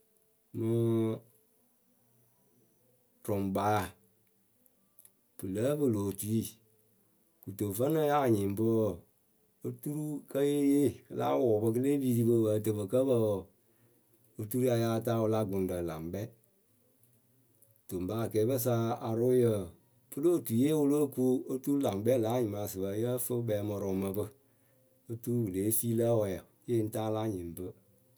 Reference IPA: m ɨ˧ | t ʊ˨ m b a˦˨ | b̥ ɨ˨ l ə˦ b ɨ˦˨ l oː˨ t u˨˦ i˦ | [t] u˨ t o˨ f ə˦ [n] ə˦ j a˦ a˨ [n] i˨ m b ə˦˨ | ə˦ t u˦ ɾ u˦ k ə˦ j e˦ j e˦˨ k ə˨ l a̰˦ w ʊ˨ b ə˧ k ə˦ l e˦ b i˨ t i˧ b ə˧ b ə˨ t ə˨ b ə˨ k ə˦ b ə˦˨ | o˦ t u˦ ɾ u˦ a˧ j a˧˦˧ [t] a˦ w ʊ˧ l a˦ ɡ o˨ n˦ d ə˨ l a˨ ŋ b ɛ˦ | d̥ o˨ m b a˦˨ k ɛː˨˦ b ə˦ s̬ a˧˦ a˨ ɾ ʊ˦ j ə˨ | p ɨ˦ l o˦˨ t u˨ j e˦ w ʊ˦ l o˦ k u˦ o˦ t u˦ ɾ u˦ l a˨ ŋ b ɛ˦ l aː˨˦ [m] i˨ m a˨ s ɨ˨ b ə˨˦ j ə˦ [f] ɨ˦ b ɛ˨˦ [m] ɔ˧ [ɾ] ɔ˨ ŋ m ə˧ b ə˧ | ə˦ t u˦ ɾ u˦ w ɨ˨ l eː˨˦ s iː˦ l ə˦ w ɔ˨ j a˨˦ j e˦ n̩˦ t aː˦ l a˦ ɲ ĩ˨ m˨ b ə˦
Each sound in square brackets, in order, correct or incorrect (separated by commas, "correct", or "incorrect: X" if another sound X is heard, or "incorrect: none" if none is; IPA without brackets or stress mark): incorrect: k, correct, incorrect: ɲ, correct, incorrect: ɲ, correct, correct, correct